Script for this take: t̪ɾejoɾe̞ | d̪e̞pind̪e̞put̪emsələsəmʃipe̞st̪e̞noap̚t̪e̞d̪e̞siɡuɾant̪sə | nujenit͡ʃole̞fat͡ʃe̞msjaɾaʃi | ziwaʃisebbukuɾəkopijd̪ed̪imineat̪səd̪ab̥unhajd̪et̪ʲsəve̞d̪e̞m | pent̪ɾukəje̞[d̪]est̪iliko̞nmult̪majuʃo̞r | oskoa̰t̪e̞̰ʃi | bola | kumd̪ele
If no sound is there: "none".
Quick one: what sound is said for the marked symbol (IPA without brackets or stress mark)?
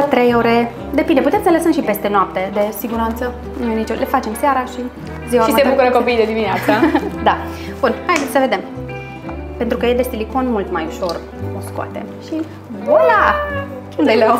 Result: d̪